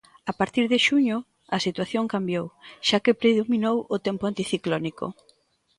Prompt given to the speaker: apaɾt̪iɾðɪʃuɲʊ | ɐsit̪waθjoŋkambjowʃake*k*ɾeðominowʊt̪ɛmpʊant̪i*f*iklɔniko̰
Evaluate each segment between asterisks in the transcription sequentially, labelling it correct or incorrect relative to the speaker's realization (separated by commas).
incorrect, incorrect